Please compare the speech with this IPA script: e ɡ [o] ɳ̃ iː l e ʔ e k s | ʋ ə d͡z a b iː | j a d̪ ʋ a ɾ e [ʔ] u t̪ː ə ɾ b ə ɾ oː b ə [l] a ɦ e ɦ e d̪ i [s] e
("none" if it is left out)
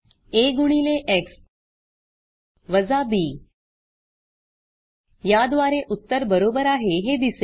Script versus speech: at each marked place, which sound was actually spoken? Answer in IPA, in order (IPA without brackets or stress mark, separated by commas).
u, ʔ, ɾ, s